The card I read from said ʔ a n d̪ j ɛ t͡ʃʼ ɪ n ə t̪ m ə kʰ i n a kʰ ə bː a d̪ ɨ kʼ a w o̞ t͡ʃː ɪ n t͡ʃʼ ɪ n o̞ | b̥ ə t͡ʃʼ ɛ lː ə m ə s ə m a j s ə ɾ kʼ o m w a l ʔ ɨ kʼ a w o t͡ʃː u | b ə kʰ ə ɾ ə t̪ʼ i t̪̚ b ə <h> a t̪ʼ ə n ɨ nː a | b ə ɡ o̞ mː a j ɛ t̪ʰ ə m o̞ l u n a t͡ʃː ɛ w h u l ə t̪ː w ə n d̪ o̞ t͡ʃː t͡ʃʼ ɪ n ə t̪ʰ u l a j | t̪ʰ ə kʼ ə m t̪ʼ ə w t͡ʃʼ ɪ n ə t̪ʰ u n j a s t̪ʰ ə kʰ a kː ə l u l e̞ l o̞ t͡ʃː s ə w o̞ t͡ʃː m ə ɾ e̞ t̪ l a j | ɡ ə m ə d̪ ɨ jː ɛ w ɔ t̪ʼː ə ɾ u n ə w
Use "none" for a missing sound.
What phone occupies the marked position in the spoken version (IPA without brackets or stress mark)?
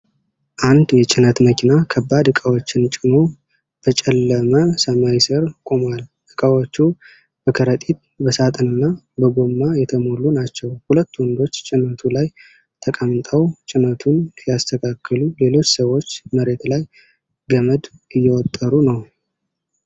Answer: s